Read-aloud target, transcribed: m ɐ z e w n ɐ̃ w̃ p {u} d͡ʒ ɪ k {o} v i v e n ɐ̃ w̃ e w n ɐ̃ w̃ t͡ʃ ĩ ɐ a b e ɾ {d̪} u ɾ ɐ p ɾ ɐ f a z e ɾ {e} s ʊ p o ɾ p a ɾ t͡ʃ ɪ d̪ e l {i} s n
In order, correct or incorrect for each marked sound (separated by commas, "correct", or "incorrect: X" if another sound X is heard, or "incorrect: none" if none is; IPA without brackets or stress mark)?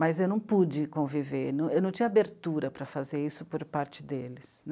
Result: correct, incorrect: õ, incorrect: t̪, incorrect: i, incorrect: ɪ